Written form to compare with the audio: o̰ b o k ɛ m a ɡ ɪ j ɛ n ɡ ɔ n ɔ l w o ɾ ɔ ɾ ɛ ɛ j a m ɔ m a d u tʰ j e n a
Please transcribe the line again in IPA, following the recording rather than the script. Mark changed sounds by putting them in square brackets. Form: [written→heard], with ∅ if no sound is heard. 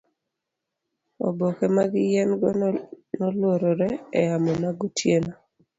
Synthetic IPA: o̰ b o k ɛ m a ɡ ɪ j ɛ n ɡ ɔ n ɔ l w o ɾ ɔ ɾ ɛ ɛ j a m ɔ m a [d→ɡ] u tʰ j e n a